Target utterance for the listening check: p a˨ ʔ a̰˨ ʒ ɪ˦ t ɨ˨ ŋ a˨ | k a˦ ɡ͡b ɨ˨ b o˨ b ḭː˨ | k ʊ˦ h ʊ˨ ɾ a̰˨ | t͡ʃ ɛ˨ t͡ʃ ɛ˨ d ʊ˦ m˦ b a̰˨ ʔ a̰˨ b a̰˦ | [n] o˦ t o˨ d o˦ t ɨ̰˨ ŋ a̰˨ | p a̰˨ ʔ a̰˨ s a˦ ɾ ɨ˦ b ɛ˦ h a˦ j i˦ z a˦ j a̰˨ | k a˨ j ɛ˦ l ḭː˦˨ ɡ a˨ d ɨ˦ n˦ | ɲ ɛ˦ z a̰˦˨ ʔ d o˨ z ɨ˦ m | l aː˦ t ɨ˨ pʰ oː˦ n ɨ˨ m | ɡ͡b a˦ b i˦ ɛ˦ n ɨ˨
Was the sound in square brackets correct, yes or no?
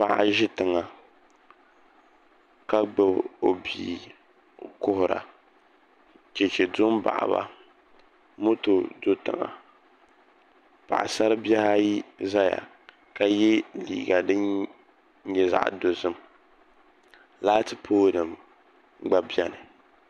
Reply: no